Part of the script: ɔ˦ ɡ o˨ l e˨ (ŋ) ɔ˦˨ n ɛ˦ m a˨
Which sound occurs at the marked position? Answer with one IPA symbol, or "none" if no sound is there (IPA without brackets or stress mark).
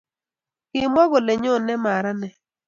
ɲ